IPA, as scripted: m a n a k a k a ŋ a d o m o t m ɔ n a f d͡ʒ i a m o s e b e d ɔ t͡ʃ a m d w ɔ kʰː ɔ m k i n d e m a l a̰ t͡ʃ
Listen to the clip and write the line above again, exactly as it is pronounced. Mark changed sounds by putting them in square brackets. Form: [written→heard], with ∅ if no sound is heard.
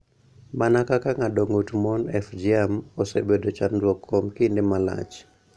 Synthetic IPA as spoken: m a n a k a k a ŋ a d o [m→ŋ] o t m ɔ n [a→ɛ] f d͡ʒ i a m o s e b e d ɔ t͡ʃ a [m→n] d w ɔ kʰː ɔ m k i n d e m a l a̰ t͡ʃ